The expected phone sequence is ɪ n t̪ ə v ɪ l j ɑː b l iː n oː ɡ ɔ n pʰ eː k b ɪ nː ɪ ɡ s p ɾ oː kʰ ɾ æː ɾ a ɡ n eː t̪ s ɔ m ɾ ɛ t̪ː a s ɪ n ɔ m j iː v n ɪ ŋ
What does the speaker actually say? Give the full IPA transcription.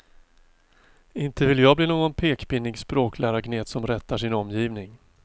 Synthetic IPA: ɪ n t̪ ə v ɪ l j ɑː b l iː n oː ɡ ɔ n pʰ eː k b ɪ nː ɪ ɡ s p ɾ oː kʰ l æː ɾ a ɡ n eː t̪ s ɔ m ɾ ɛ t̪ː a ʂ ɪ n ɔ m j iː v n ɪ ŋ

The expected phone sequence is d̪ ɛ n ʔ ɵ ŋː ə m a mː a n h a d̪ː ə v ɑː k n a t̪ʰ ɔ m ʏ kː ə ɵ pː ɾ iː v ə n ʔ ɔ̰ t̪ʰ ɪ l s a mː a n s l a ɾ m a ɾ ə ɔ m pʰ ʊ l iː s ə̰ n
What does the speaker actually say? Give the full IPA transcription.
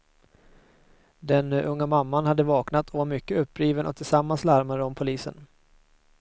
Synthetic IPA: d̪ ɛ n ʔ ɵ ŋː a m a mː a n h a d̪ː ə v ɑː k n a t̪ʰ ɔ m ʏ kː ə ɵ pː ɾ iː v ə n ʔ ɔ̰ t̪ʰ ɪ l s a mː a n s l a ɾ m a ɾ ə ɔ m pʰ ʊ l iː s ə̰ n

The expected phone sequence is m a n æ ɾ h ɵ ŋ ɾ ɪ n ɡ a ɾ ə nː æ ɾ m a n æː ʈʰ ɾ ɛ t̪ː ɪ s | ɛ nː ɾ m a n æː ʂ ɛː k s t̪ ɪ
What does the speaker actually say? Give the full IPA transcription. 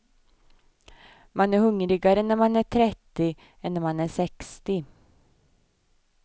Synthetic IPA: m a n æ ɾ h ɵ ŋ ɾ ɪ ɡ a ɾ ə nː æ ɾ m a n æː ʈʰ ɾ ɛ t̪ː ɪ | ɛ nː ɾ m a n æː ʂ ɛ k s t̪ ɪ

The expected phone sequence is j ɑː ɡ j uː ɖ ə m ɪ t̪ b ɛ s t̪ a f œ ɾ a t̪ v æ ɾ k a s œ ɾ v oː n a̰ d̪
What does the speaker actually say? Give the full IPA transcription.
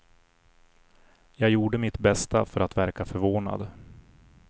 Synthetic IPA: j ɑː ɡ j uː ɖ ə m ɪ t̪ b ɛ s t̪ a f œ ɾ a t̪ v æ ɾ k a f œ ɾ v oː n a̰ d̪

